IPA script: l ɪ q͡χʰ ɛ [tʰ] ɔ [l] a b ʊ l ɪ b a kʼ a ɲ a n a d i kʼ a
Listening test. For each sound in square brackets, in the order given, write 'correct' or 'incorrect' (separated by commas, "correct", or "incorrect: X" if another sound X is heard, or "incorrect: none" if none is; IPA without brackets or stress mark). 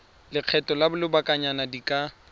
incorrect: t, correct